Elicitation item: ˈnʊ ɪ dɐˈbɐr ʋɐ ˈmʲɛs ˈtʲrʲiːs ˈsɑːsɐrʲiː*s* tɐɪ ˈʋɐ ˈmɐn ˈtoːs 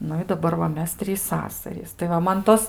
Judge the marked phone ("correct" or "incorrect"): correct